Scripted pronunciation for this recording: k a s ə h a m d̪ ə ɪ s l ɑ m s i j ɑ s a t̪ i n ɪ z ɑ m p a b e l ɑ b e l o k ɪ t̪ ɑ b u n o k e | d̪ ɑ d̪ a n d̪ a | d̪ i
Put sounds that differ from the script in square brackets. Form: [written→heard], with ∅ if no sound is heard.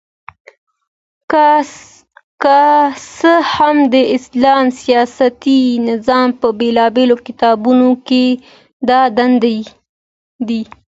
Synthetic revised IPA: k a s ə h a m d̪ ə ɪ s l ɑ m s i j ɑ s a t̪ i n ɪ z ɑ m p [a→ə] b e l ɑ b e l o k ɪ t̪ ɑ b u n o k e | d̪ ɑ d̪ a n d̪ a | d̪ i